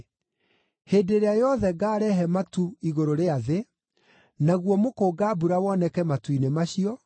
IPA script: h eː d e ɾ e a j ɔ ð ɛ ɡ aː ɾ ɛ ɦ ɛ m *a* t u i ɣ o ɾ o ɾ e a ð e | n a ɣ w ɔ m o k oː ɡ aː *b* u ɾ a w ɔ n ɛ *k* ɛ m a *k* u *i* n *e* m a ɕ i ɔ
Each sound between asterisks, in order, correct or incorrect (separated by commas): correct, correct, correct, incorrect, correct, correct